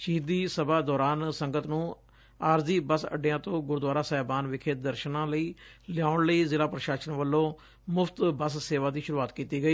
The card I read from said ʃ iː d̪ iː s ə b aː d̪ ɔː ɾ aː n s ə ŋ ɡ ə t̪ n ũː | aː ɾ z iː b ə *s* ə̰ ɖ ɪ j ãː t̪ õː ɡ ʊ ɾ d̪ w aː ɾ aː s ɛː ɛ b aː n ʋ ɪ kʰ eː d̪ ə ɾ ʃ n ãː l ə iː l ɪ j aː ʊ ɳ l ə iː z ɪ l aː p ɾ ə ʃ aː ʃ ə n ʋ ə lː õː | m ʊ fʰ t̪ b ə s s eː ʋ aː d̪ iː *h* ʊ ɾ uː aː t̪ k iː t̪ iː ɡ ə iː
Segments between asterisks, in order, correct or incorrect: correct, incorrect: ʃ

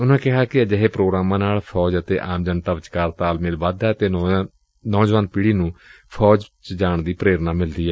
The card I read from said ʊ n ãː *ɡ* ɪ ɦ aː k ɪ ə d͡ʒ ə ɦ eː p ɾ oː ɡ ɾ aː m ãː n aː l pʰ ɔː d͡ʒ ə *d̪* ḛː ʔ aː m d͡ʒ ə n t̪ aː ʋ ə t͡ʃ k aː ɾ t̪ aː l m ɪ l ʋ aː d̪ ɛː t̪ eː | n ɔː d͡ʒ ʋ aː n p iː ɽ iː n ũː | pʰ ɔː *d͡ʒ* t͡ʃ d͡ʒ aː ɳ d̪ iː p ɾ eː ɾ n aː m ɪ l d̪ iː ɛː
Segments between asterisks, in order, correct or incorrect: incorrect: k, incorrect: t̪, correct

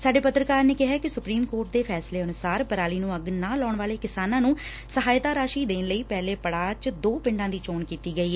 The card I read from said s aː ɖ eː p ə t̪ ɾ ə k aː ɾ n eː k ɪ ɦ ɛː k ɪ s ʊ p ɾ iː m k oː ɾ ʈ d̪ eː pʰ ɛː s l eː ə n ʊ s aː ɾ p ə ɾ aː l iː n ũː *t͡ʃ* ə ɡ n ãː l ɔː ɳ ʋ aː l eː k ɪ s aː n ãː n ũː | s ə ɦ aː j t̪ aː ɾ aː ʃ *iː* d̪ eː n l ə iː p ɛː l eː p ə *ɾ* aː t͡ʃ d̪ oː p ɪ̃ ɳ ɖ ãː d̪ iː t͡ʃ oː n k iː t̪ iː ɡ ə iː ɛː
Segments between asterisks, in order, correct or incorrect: incorrect: none, correct, incorrect: ɽ

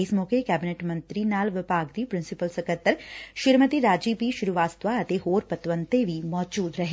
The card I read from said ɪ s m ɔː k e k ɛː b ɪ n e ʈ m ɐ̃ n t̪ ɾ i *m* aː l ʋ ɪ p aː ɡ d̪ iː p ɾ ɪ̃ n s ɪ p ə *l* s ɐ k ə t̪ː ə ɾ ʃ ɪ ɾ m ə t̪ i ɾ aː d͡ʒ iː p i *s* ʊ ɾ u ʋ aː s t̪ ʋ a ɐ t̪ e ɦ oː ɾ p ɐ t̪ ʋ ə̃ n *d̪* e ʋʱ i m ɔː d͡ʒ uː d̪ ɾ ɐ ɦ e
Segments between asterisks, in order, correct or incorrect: incorrect: n, correct, incorrect: ʃ, incorrect: t̪

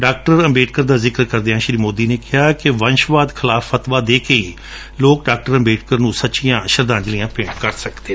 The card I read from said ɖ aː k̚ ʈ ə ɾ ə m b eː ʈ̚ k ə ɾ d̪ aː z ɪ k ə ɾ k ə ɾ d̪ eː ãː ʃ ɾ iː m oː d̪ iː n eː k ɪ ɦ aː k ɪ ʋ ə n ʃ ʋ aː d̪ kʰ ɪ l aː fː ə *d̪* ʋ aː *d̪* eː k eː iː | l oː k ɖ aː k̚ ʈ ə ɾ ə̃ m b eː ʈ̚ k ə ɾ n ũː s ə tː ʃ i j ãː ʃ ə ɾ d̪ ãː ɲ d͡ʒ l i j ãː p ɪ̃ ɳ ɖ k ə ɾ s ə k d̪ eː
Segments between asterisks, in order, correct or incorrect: incorrect: t̪, correct

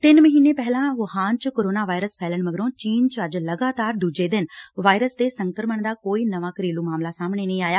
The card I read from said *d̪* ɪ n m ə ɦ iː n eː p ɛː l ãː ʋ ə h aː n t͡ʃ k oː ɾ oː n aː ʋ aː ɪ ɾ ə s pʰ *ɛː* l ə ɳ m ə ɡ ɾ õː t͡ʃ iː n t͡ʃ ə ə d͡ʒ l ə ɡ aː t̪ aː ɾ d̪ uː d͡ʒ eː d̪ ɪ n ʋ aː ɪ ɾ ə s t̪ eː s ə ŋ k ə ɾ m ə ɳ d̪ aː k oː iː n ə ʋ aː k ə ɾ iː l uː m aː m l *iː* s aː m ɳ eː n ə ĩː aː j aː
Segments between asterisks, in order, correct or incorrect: incorrect: t̪, correct, incorrect: aː

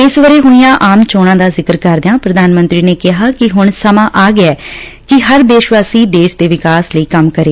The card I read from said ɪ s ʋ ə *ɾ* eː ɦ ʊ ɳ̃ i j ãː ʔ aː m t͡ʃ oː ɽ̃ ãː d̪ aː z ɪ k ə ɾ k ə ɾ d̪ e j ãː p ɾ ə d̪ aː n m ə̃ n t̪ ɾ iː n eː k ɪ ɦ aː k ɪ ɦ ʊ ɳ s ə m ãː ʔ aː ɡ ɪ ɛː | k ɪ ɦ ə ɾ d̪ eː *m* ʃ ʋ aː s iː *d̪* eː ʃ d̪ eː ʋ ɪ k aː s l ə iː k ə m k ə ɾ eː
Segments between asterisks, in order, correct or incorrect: correct, incorrect: none, correct

